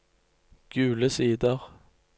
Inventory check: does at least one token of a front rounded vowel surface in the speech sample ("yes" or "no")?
no